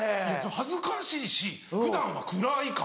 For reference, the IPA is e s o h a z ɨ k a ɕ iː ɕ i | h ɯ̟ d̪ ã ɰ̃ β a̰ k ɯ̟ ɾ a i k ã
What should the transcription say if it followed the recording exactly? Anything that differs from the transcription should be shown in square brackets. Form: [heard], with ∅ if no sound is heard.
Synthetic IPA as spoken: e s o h a z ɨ k a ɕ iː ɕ i | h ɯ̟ d̪ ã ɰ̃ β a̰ k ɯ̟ ɾ a i k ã